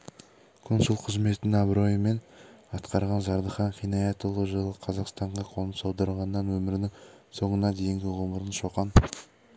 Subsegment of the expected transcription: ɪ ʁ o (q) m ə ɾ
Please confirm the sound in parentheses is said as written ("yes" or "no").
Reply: no